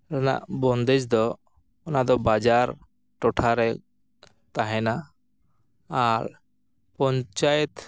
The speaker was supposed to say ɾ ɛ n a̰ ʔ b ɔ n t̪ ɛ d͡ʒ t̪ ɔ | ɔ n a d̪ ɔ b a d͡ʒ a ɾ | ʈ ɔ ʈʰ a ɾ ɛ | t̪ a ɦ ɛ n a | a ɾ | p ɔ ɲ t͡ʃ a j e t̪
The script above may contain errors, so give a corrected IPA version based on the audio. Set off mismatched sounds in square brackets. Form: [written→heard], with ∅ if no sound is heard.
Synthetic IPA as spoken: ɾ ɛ n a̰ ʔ b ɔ n [t̪→d̪] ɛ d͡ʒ [t̪→d̪] ɔ | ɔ n a d̪ ɔ b a d͡ʒ a ɾ | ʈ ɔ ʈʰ a ɾ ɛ | t̪ a ɦ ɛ n a | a ɾ | p ɔ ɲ t͡ʃ a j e t̪